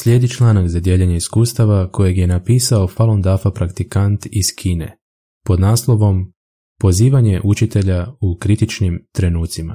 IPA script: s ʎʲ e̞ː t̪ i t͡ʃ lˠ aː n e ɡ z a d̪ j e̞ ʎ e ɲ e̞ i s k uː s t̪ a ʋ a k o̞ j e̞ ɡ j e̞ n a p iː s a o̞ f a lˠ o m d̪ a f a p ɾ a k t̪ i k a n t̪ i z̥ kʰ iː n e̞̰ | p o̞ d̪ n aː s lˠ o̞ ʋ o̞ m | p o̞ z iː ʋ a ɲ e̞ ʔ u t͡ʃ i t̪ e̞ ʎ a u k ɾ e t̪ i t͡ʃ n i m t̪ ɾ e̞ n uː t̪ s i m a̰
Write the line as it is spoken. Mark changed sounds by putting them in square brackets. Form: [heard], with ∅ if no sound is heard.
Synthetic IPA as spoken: s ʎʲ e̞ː [d̪] i t͡ʃ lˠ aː n [a] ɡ z a d̪ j e̞ ʎ e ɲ e̞ i s k uː s t̪ a ʋ a k o̞ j e̞ ɡ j e̞ n a p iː s a o̞ f a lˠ o [n] d̪ a f a p ɾ a k t̪ i k a n t̪ i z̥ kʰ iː n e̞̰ | p o̞ d̪ n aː s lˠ o̞ ʋ o̞ m | p o̞ z iː ʋ a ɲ e̞ ʔ u t͡ʃ i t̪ e̞ ʎ a u k ɾ [i] t̪ i t͡ʃ n i m t̪ ɾ e̞ n uː t̪ s i m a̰